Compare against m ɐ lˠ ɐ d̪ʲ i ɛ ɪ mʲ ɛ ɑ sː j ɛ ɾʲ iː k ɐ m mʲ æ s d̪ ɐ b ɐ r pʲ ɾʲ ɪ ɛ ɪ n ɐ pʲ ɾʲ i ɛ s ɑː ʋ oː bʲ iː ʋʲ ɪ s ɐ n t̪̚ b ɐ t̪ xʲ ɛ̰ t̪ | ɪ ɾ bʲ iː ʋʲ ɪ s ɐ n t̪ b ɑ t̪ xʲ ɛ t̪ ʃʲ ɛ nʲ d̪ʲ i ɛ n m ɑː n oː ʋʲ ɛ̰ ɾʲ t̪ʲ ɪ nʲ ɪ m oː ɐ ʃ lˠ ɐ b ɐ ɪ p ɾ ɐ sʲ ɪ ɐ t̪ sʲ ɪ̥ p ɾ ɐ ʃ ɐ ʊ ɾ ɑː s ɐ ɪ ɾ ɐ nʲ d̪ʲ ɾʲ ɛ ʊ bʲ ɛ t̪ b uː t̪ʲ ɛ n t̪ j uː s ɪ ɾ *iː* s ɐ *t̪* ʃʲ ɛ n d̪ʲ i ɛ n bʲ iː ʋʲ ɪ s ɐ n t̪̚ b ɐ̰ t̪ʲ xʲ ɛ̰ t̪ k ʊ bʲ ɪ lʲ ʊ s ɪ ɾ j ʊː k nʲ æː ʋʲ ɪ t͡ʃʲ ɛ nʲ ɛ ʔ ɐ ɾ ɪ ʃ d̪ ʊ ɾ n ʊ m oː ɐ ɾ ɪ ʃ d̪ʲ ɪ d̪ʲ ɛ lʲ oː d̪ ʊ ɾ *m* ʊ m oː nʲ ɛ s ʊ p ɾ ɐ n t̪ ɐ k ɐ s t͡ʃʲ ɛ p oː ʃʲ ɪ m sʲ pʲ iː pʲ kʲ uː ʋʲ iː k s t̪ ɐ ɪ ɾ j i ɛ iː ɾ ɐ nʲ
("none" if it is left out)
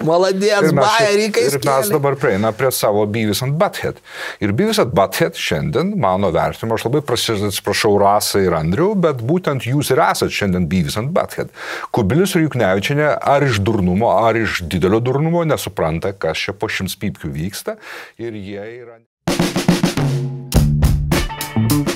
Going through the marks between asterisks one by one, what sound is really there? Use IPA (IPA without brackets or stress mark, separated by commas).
æː, t̪, n